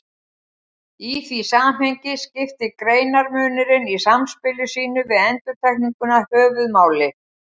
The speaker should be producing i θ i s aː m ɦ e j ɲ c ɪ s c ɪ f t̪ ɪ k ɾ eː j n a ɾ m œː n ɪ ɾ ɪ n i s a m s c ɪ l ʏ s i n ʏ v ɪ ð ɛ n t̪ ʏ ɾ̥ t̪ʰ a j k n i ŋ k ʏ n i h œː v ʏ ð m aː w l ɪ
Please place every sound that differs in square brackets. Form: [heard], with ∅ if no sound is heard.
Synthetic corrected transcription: i θ i s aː m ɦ e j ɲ c ɪ s c ɪ f t̪ ɪ k ɾ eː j n a ɾ m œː n ɪ ɾ ɪ n i s a m s [p] ɪ l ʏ s [iː] n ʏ v ɪ ð ɛ n t̪ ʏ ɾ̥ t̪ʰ a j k n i ŋ k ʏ n [a] h œː v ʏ ð m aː w l ɪ

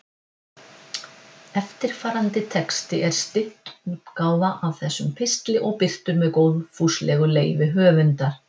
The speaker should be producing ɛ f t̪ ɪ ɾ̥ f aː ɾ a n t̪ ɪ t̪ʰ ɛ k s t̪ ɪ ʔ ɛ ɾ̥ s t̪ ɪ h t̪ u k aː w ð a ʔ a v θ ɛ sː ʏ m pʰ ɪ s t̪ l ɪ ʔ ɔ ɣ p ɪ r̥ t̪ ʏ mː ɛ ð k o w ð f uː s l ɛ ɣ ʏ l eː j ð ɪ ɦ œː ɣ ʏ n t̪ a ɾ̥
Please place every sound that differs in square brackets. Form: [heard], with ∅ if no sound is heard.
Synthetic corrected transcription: ɛ f t̪ ɪ ɾ̥ f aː ɾ a n t̪ ɪ t̪ʰ ɛ k s t̪ ɪ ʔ ɛ ɾ̥ s t̪ ɪ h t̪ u k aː w ð a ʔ a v θ ɛ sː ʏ m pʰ ɪ s t̪ l ɪ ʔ ɔ ɣ p ɪ r̥ t̪ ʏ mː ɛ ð k o w ð f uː s l ɛ ɣ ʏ l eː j [v] ɪ ɦ œː [v] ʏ n t̪ a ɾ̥

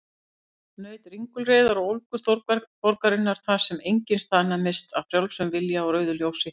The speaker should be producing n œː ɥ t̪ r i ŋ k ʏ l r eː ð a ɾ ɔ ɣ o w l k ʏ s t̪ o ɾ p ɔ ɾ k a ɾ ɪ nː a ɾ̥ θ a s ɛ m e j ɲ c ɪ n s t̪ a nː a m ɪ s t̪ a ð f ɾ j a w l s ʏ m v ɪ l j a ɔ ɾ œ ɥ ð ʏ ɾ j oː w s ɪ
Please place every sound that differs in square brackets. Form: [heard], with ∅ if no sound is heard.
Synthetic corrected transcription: n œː ɥ t̪ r i ŋ k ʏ l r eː ð a ɾ ɔ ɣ o w l k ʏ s t̪ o ɾ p ɔ ɾ k a ɾ ɪ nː a ɾ̥ θ a s ɛ m e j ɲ c ɪ n s t̪ a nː a m ɪ s t̪ a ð f ɾ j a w l s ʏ m v ɪ l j a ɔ ɾ œ ɥ ð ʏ [l] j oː w s ɪ

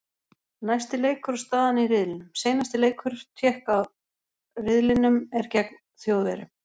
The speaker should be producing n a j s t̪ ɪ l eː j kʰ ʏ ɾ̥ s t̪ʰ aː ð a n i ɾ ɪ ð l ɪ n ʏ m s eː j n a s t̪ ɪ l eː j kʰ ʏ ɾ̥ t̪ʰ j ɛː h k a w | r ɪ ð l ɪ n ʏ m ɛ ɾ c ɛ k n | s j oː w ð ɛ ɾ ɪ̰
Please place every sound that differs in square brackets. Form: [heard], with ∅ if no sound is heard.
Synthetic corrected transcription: n a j s t̪ ɪ l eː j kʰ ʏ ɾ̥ s [t̪] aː ð a n i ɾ ɪ ð l ɪ n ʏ m s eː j n a s t̪ ɪ l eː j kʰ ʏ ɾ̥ t̪ʰ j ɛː h k a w | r ɪ ð l ɪ n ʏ m ɛ ɾ c ɛ k n | [θ] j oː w ð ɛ ɾ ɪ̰

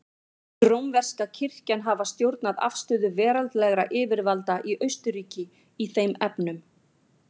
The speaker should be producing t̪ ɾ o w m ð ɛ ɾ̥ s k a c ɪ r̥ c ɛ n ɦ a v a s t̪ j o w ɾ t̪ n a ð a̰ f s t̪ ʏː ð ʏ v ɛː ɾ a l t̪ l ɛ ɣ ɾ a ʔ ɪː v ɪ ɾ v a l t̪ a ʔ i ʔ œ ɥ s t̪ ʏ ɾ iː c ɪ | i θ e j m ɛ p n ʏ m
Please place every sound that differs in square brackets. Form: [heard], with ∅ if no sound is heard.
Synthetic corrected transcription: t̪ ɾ o w m [v] ɛ [r̥] s k a [cʰ] ɪ r̥ c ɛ n ɦ a v a s t̪ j o w ɾ t̪ n a ð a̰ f s t̪ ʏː ð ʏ v ɛː ɾ a l t̪ l ɛ ɣ ɾ a ʔ ɪː v ɪ ɾ v a l t̪ a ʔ i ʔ œ ɥ s t̪ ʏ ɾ iː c ɪ | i θ e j m ɛ p n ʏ m

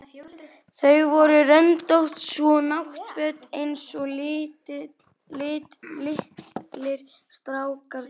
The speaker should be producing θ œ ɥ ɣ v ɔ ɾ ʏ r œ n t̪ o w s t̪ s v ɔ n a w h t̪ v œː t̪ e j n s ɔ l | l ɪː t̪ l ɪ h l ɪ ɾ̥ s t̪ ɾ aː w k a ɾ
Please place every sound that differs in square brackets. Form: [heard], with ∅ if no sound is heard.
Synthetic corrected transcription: θ œ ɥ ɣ v ɔ ɾ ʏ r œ n t̪ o w [h] t̪ s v ɔ n a w h t̪ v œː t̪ e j n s ɔ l | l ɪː t̪ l ɪ h l ɪ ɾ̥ s t̪ ɾ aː w k a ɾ

